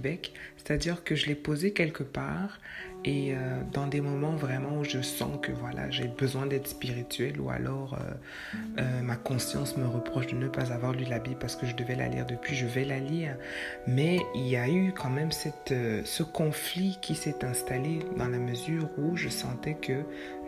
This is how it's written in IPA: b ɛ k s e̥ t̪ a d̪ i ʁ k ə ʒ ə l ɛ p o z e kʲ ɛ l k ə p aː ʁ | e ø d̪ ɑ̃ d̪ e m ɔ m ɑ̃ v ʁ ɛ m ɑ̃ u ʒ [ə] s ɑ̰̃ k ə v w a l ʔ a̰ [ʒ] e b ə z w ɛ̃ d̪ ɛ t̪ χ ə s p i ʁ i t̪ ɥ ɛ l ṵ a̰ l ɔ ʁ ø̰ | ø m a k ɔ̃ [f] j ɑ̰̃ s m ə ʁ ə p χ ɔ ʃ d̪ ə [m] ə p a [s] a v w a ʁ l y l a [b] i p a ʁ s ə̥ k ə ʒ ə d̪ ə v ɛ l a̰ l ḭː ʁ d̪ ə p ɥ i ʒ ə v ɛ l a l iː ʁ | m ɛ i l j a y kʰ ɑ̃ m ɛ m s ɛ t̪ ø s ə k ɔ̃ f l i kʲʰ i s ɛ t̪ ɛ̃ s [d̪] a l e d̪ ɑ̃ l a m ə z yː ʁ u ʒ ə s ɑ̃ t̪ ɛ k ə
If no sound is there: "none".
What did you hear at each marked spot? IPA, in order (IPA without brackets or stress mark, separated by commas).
ə, ʒ, s, n, z, b, t̪